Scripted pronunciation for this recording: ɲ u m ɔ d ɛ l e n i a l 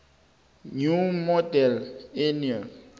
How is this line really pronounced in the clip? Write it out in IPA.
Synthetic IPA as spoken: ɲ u m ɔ d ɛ l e n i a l